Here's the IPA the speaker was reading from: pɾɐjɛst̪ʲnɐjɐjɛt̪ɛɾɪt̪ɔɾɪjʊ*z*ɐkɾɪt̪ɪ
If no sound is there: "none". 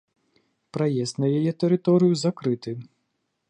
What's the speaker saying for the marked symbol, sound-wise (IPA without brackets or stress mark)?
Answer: z